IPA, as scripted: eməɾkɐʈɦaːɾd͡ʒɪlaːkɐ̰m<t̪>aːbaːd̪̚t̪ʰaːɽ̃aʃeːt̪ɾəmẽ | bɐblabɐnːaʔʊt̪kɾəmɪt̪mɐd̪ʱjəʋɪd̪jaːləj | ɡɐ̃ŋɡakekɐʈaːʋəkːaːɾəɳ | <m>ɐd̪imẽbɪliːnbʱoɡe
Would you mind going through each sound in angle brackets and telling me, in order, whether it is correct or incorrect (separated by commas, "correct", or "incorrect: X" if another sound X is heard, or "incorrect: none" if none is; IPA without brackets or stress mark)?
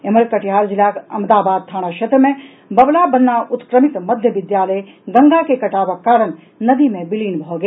incorrect: d̪, incorrect: n